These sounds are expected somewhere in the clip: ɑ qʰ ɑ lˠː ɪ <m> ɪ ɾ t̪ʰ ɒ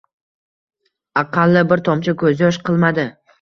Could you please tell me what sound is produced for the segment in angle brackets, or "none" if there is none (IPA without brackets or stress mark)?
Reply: b